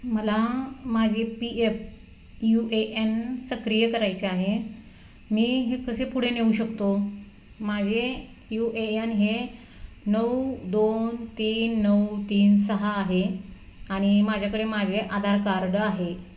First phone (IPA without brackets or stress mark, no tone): m